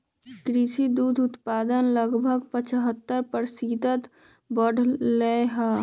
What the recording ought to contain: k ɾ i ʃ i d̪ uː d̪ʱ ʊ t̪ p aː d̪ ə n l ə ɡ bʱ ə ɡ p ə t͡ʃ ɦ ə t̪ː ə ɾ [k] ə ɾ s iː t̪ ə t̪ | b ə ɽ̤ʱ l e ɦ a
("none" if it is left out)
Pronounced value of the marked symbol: p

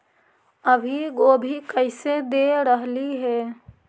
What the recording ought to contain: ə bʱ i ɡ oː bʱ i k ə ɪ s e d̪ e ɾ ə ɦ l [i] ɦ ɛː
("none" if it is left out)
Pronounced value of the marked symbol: i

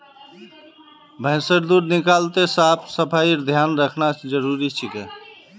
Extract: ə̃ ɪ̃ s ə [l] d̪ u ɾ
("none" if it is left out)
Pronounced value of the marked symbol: ɾ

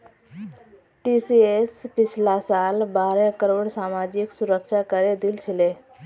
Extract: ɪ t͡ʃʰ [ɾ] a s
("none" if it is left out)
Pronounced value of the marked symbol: l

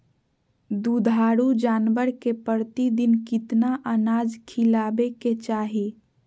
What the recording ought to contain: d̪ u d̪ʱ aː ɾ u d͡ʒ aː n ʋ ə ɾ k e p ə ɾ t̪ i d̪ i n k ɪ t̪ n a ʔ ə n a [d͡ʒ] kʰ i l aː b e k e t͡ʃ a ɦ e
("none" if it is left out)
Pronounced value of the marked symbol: d͡ʒ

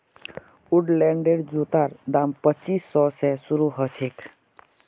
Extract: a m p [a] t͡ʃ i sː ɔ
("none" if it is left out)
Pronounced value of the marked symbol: ə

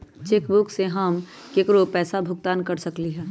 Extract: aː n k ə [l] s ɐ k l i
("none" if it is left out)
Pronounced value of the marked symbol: ɾ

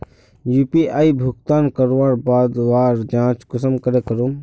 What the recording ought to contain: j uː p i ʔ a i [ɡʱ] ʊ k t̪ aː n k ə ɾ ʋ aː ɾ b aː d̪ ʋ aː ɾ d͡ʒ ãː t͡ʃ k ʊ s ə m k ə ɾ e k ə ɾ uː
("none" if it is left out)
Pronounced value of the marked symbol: bʱ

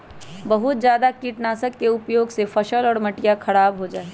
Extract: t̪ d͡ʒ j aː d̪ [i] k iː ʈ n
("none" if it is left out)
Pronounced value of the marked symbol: a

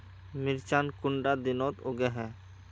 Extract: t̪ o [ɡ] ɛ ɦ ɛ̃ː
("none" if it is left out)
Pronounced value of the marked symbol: ɡ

